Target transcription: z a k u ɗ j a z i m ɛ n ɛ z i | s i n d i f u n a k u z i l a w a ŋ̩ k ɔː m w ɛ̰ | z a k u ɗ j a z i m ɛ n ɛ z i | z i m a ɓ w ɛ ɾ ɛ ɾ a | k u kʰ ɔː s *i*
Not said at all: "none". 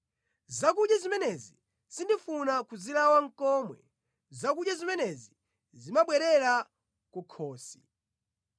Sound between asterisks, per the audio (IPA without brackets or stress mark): i